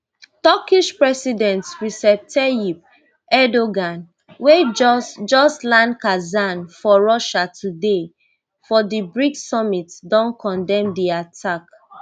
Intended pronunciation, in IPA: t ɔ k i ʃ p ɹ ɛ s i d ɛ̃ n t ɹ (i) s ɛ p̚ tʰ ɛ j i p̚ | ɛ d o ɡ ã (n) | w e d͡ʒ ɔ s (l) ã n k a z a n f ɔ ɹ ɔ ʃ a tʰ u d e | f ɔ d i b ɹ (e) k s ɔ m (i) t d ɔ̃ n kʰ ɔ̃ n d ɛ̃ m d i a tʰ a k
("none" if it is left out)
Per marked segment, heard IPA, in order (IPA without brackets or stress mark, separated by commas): i, n, l, i, i